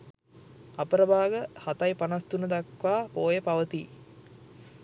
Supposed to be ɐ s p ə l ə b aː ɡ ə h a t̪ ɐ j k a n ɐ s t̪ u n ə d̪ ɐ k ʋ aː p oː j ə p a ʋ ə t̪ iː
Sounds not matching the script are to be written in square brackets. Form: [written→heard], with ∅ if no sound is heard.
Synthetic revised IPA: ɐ [s→∅] p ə [l→ɾ] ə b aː ɡ ə h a t̪ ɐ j [k→p] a n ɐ s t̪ u n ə d̪ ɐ k ʋ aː p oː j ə p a ʋ ə t̪ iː